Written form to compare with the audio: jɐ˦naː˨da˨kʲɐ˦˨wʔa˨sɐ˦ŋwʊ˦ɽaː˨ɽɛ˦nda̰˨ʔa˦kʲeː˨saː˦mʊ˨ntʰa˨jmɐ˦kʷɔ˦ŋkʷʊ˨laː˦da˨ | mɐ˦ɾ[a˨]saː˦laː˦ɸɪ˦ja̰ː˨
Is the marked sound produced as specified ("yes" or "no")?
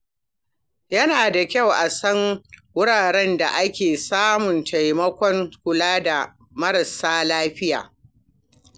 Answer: no